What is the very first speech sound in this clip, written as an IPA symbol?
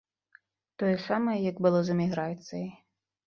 t̪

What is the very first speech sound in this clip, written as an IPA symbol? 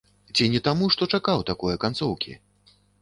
t͡sʲ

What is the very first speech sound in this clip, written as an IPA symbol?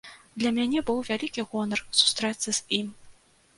d̪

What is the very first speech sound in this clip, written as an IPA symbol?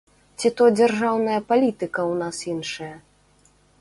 t͡sʲ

